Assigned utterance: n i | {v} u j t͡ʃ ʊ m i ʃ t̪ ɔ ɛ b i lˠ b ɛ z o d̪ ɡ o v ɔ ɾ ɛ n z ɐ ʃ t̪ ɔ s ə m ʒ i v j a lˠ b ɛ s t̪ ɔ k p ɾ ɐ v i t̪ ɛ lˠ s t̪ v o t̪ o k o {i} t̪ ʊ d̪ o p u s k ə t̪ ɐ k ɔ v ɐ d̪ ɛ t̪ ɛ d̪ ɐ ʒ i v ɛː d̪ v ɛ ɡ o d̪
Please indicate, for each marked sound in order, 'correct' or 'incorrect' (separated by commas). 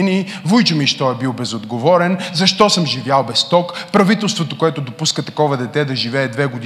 correct, incorrect